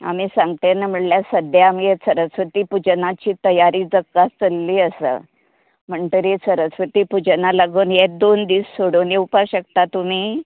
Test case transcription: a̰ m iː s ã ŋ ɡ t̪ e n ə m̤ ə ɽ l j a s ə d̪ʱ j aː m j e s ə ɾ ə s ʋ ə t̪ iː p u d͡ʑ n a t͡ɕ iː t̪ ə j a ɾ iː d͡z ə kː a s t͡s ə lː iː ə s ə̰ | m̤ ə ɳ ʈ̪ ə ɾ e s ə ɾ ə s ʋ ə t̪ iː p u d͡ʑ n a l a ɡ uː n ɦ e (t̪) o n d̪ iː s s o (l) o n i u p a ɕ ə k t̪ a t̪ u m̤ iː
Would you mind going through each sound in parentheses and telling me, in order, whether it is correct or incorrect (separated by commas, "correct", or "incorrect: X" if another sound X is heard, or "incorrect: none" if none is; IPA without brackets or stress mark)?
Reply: incorrect: d̪, incorrect: ɽ